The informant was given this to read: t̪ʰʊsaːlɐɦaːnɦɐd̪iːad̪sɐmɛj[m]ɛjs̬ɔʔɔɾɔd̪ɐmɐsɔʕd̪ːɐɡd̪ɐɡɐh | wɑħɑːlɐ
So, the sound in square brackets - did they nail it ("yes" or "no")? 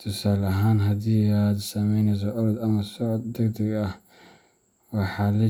no